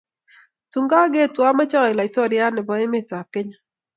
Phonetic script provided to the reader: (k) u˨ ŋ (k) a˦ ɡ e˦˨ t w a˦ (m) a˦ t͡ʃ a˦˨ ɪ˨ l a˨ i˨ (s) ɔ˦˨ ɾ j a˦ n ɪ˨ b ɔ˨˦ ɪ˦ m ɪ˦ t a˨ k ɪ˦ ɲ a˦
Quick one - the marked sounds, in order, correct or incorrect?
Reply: incorrect, incorrect, correct, incorrect

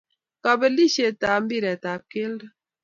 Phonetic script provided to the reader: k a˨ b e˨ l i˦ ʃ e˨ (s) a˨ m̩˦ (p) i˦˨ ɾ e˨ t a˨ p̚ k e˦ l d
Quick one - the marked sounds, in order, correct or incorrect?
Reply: incorrect, incorrect

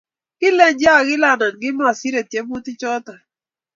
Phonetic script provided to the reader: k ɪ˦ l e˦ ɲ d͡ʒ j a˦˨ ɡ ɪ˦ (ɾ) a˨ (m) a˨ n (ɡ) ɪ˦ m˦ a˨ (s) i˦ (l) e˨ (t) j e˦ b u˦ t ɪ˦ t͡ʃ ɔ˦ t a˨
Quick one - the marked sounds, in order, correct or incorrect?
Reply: incorrect, incorrect, correct, correct, incorrect, correct

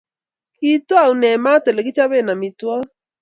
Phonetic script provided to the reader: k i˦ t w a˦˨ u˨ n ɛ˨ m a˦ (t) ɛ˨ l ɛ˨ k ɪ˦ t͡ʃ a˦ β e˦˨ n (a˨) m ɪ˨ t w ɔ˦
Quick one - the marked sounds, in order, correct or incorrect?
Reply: correct, correct

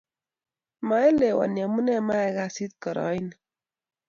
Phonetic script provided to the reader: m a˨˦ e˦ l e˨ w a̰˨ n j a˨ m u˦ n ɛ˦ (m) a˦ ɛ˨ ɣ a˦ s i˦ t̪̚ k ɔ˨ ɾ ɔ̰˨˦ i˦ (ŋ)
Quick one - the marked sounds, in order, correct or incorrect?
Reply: correct, incorrect

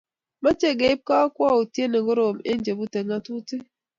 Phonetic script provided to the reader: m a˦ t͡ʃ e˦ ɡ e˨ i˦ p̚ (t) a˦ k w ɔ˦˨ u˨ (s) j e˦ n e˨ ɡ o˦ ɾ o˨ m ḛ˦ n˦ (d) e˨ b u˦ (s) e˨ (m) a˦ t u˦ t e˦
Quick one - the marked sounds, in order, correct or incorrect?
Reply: incorrect, incorrect, incorrect, incorrect, incorrect

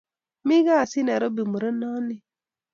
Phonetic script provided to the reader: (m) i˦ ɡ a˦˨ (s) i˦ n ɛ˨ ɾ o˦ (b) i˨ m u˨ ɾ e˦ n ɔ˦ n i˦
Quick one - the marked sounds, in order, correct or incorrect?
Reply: correct, correct, correct

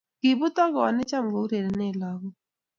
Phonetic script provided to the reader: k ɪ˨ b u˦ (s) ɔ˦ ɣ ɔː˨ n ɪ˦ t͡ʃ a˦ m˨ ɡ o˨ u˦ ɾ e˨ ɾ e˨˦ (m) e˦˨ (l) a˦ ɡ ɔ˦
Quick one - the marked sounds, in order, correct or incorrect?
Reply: incorrect, incorrect, correct

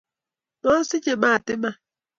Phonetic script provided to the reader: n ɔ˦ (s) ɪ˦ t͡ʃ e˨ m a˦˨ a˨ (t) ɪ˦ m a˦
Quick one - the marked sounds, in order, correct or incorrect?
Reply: correct, correct

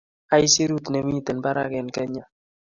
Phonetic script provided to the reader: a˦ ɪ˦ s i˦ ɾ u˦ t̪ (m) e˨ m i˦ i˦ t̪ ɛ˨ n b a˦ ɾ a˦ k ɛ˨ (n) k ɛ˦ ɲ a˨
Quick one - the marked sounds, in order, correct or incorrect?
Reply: incorrect, correct

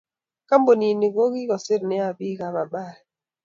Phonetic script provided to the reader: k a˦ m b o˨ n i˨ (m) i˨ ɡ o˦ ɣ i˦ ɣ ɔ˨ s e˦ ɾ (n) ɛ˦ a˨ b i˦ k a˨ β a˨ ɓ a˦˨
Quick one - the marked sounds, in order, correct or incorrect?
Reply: incorrect, correct

